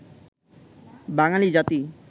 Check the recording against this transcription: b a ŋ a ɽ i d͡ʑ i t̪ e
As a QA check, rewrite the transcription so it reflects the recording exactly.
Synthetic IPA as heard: b a ŋ a l i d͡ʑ a t̪ i